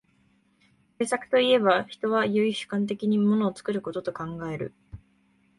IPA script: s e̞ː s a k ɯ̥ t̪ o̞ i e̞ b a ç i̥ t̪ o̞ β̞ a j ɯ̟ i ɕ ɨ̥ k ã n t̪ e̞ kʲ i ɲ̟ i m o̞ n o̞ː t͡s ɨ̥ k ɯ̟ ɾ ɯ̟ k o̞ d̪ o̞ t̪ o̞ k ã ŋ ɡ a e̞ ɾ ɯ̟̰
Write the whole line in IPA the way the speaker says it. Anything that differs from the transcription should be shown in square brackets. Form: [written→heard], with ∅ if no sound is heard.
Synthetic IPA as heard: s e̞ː s a k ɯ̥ t̪ o̞ i e̞ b a ç i̥ t̪ o̞ β̞ a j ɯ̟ i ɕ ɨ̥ k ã n t̪ e̞ kʲ i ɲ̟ i m o̞ n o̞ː t͡s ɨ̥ k ɯ̟ ɾ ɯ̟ k o̞ [d̪→t̪] o̞ t̪ o̞ k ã ŋ ɡ a e̞ ɾ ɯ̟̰